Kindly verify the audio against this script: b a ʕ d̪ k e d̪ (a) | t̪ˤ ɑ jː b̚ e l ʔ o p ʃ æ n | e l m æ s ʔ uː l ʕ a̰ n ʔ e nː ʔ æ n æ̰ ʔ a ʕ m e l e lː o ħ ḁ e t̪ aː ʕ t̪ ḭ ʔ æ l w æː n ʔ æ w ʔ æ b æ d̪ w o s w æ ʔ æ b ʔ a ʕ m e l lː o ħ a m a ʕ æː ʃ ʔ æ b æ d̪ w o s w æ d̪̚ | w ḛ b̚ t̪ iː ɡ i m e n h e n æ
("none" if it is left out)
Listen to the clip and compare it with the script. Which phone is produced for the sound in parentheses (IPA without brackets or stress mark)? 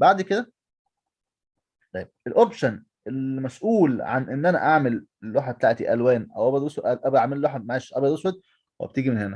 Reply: æ